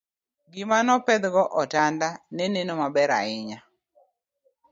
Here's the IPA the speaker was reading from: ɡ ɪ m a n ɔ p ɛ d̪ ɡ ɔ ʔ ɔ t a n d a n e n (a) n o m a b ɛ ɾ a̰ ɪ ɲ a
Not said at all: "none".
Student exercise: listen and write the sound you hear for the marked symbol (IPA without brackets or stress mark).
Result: e